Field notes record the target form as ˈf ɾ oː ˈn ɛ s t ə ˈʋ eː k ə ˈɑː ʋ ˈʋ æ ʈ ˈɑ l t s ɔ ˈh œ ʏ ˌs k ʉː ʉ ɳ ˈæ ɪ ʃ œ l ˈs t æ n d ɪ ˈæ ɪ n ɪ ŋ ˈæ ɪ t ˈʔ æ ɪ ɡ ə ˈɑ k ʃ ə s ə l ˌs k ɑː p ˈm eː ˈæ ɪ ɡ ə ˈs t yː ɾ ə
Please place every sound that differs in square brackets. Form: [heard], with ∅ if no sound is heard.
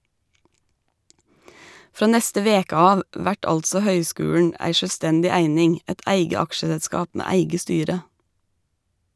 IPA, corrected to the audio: ˈf ɾ oː ˈn ɛ s t ə ˈʋ eː k ə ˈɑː ʋ ˈʋ æ ʈ ˈɑ l t s ɔ ˈh œ ʏ ˌs k ʉː ʉ ɳ ˈæ ɪ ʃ œ l ˈs t [ɛ] n d ɪ ˈæ ɪ n ɪ ŋ ˈæ ɪ t ˈʔ æ ɪ ɡ ə ˈɑ k ʃ ə s ə l ˌs k ɑː p ˈm eː ˈæ ɪ ɡ ə ˈs t yː ɾ ə